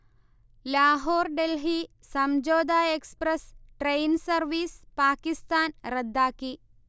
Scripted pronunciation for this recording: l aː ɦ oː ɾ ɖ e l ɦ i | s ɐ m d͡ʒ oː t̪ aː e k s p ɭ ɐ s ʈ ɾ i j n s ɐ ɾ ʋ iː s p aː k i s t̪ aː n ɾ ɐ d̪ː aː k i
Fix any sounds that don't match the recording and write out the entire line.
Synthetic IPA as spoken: l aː ɦ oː ɾ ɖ e l ɦ i | s ɐ m d͡ʒ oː d̪ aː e k s p ɾ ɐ s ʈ ɾ e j n s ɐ ɾ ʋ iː s p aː k i s t̪ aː n ɾ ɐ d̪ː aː k i

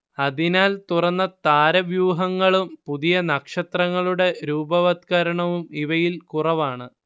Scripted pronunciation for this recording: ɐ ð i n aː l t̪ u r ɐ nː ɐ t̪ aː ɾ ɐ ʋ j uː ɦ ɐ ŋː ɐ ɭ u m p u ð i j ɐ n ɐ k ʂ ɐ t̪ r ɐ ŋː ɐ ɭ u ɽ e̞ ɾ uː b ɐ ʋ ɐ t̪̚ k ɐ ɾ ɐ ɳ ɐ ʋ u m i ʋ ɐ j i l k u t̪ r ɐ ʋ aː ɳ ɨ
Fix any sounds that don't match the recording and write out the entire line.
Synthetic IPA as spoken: ɐ ð i n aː l t̪ u r ɐ nː ɐ t̪ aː ɾ ɐ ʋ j uː ɦ ɐ ŋː ɐ ɭ u m p u ð i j ɐ n ɐ k ʂ ɐ t̪ r ɐ ŋː ɐ ɭ u ɽ e̞ ɾ uː b ɐ ʋ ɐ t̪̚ k ɐ ɾ ɐ ɳ ɐ ʋ u m i ʋ ɐ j i l k u r ɐ ʋ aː ɳ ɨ

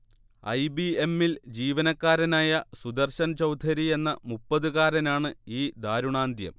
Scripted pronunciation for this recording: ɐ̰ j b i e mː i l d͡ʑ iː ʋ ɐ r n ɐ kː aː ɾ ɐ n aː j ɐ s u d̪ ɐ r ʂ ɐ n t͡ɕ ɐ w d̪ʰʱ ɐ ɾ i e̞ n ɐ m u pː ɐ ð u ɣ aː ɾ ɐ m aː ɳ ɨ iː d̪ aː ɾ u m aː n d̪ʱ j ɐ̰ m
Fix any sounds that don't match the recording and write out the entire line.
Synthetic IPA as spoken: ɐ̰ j b i e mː i l d͡ʑ iː ʋ ɐ n ɐ kː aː ɾ ɐ n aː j ɐ s u d̪ ɐ r ɕ ɐ n t͡ɕ ɐ w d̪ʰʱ ɐ ɾ i e̞ nː ɐ m u pː ɐ ð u ɣ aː ɾ ɐ n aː ɳ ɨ iː d̪ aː ɾ u ɳ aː n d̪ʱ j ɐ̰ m

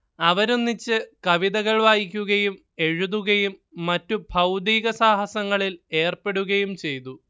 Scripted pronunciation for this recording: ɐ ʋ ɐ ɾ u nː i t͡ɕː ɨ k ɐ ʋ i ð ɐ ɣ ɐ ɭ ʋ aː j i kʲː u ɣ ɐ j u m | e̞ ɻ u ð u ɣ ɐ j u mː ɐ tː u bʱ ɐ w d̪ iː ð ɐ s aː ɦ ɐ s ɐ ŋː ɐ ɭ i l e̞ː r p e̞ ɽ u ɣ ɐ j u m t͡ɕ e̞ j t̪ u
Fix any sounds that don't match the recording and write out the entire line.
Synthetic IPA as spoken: ɐ ʋ ɐ ɾ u nː i t͡ɕː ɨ k ɐ ʋ i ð ɐ ɣ ɐ ɭ ʋ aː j i kʲː u ɣ ɐ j u m | e̞ ɻ u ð u ɣ ɐ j u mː ɐ tː u bʱ ɐ w d̪ iː ɣ ɐ s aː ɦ ɐ s ɐ ŋː ɐ ɭ i l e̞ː r p e̞ ɽ u ɣ ɐ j u m t͡ɕ e̞ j t̪ u

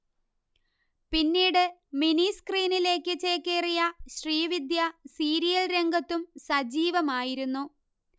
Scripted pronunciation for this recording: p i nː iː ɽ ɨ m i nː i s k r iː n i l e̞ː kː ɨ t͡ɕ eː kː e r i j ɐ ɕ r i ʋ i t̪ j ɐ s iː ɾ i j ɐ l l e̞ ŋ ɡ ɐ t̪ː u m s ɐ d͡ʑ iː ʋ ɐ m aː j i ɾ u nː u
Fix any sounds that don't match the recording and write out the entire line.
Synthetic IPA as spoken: p i nː iː ɽ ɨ m i n i s k r iː n i l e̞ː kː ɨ t͡ɕ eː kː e r i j ɐ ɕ r iː ʋ i d̪ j ɐ s iː ɾ i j ɐ l ɾ e̞ ŋ ɡ ɐ t̪ː u m s ɐ d͡ʑ iː ʋ ɐ m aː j i ɾ u nː u

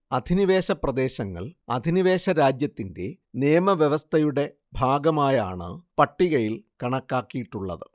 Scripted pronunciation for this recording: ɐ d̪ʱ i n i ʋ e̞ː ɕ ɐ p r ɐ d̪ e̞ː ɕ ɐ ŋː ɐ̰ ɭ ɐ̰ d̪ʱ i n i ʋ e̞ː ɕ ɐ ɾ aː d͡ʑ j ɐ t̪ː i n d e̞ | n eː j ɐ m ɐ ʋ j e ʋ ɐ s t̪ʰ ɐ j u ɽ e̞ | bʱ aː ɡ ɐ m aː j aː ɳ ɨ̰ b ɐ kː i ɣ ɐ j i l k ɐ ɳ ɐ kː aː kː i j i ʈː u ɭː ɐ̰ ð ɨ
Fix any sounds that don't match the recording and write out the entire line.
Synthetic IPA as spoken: ɐ d̪ʱ i n i ʋ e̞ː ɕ ɐ p r ɐ d̪ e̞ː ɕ ɐ ŋː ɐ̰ ɭ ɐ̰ d̪ʱ i n i ʋ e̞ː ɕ ɐ ɾ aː d͡ʑ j ɐ t̪ː i n d e̞ | n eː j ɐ m ɐ ʋ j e ʋ ɐ s t̪ʰ ɐ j u ɽ e̞ | bʱ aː ɡ ɐ m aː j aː ɳ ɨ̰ p ɐ ʈː i ɣ ɐ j i l k ɐ ɳ ɐ kː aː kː i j i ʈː u ɭː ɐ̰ ð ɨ

